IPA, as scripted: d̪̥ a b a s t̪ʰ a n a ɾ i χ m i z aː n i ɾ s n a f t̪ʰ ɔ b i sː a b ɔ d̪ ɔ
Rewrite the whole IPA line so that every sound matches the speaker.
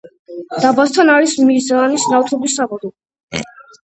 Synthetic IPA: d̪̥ a b a s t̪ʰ a n a ɾ i s m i z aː n i s n a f t̪ʰ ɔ b i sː a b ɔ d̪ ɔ